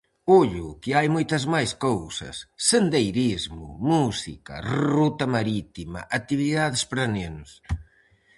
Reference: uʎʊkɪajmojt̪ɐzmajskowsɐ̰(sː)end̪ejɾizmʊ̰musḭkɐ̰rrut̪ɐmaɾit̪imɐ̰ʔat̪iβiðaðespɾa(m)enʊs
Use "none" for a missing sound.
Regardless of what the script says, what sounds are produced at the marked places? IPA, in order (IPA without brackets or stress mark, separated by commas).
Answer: sː, n